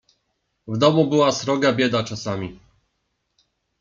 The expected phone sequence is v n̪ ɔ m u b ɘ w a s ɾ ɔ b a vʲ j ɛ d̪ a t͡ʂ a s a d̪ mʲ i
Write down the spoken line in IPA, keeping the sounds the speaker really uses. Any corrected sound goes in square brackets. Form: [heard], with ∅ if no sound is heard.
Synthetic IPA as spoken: v [d̪] ɔ m u b ɘ w a s ɾ ɔ [ɡ] a [bʲ] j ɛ d̪ a t͡ʂ a s a [∅] mʲ i

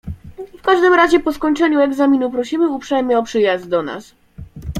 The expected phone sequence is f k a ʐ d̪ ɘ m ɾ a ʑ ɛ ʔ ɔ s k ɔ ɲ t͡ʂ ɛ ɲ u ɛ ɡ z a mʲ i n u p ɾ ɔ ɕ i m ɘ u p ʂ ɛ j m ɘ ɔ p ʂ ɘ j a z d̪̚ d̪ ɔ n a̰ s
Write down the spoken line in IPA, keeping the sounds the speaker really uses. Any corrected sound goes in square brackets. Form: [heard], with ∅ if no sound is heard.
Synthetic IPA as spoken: f k a ʐ d̪ ɘ m ɾ a ʑ ɛ [p] ɔ s k ɔ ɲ t͡ʂ ɛ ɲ u ɛ ɡ z a mʲ i n u p ɾ ɔ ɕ i m ɘ u p ʂ ɛ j m ɘ ɔ p ʂ ɘ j a z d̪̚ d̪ ɔ n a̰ s

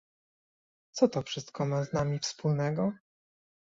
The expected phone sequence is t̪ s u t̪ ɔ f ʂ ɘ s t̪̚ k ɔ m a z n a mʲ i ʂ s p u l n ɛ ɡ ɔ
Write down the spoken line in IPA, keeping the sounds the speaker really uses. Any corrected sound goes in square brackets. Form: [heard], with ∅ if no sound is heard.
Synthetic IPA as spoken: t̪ s [ɔ] t̪ ɔ f ʂ ɘ s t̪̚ k ɔ m a z n a mʲ i [f] s p u l n ɛ ɡ ɔ

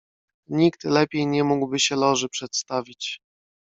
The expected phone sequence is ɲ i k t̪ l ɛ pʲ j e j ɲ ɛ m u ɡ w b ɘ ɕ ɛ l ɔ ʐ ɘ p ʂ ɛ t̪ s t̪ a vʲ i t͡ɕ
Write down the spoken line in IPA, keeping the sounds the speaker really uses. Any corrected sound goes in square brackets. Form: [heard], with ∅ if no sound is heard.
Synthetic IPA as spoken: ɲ i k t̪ l ɛ pʲ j e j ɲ ɛ m u ɡ w b ɘ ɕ ɛ l ɔ ʐ ɘ p ʂ ɛ t̪ s t̪ a vʲ i t͡ɕ

